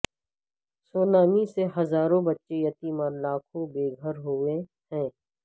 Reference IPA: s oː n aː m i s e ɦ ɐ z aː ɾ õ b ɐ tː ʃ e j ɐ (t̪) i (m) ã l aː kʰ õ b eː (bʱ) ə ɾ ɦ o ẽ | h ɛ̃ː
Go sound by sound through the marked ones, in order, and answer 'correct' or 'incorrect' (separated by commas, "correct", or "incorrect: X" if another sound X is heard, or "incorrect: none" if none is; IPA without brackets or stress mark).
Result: correct, correct, incorrect: ɡʱ